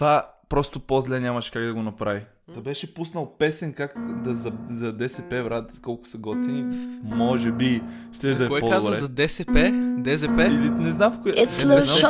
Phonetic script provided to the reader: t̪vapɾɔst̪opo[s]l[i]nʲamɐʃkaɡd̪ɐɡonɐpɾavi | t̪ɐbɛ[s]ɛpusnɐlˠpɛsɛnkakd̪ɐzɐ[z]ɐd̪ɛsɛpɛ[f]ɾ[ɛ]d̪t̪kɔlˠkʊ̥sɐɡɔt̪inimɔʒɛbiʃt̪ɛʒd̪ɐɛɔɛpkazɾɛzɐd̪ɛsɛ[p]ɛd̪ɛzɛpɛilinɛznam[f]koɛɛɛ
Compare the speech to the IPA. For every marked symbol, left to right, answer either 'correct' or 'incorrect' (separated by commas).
incorrect, incorrect, incorrect, correct, incorrect, incorrect, correct, correct